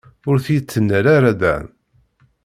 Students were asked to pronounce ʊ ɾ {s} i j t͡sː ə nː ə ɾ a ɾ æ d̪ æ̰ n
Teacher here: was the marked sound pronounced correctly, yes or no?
no